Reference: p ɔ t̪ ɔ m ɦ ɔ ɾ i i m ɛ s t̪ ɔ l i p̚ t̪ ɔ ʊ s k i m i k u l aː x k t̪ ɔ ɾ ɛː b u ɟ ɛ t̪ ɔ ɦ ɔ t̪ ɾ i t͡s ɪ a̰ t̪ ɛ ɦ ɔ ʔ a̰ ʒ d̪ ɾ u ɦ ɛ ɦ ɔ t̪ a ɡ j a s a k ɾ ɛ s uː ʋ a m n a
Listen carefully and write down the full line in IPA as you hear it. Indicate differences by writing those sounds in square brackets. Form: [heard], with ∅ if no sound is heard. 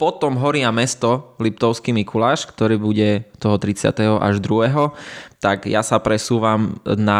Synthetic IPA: p ɔ t̪ ɔ m ɦ ɔ ɾ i [a] m ɛ s t̪ ɔ l i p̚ t̪ ɔ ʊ s k i m i k u l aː [ʃ] k t̪ ɔ ɾ [iː] b u ɟ ɛ t̪ ɔ ɦ ɔ t̪ ɾ i t͡s ɪ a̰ t̪ ɛ ɦ ɔ ʔ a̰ ʒ d̪ ɾ u ɦ ɛ ɦ ɔ t̪ a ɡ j a s a [p] ɾ ɛ s uː ʋ a m n a